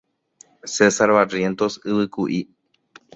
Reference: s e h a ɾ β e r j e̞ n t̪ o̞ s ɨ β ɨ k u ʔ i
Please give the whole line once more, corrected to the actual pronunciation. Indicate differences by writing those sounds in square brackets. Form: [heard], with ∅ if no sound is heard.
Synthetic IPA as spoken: s e [s] a ɾ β [a] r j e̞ n t̪ o̞ s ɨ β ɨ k u ʔ i